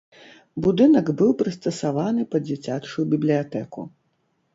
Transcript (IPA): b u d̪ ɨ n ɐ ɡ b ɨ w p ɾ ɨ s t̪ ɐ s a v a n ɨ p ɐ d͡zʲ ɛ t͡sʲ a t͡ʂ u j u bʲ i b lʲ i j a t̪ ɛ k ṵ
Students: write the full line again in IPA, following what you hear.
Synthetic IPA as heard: b u d̪ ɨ n ɐ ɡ b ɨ w p ɾ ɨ s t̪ ɐ s a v a n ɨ p ɐ d͡zʲ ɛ t͡sʲ a t͡ʂ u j u bʲ i b lʲ i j a t̪ ɛ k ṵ